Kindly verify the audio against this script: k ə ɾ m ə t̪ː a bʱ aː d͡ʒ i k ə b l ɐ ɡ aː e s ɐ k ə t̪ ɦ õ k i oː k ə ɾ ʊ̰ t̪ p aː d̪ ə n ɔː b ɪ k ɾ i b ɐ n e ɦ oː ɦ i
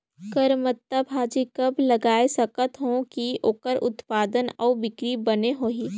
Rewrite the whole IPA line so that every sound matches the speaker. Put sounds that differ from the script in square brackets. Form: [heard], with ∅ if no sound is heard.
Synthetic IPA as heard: k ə ɾ m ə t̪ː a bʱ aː d͡ʒ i k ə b l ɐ ɡ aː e s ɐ k ə t̪ ɦ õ k i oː k ə ɾ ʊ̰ t̪ p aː d̪ ə n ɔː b ɪ k ɾ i b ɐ n e ɦ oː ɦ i